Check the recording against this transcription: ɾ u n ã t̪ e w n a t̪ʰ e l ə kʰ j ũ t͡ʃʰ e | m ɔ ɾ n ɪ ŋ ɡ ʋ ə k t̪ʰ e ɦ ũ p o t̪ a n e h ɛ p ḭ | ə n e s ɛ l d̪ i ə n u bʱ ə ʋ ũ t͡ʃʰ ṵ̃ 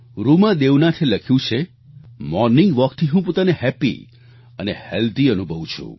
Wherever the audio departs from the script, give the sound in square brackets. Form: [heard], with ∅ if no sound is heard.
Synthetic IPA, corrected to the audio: ɾ u [m] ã [d̪] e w n a t̪ʰ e l ə kʰ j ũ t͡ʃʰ e | m ɔ ɾ n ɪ ŋ ɡ ʋ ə k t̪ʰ [i] ɦ ũ p o t̪ a n e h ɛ p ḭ | ə n e [h] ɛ l d̪ i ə n u bʱ ə ʋ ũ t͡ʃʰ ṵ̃